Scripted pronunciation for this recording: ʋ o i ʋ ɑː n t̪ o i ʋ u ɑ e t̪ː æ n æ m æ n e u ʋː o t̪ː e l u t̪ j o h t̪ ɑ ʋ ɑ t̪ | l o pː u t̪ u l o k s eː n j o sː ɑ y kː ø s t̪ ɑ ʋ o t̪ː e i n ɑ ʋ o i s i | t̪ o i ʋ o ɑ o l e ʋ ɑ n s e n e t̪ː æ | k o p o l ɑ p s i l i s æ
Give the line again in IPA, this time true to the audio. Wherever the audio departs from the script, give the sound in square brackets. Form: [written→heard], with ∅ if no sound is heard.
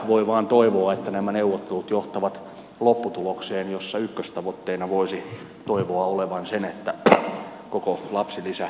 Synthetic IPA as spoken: ʋ o i ʋ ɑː n t̪ o i ʋ [u→o] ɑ e t̪ː æ n æ m æ n e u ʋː o t̪ː e l u t̪ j o h t̪ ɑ ʋ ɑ t̪ | l o pː u t̪ u l o k s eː n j o sː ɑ y kː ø s t̪ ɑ ʋ o t̪ː e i n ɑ ʋ o i s i | t̪ o i ʋ o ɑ o l e ʋ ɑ n s e n e t̪ː æ | k o [p→k] o l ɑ p s i l i s æ